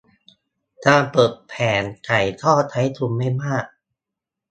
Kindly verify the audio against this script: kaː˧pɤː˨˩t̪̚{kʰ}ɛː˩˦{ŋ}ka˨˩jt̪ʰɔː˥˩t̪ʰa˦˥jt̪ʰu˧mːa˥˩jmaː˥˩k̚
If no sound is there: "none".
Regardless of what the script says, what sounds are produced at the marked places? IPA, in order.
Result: pʰ, n

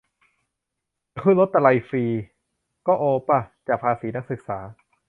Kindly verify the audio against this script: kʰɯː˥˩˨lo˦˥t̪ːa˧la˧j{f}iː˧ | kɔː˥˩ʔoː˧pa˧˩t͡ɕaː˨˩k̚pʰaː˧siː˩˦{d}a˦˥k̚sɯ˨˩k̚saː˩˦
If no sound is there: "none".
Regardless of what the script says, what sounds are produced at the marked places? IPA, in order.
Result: f, n

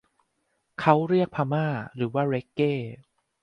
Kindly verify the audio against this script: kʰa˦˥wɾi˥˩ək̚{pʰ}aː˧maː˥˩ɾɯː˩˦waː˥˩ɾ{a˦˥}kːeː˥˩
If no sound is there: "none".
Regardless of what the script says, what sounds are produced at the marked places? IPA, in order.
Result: pʰ, e˦˥

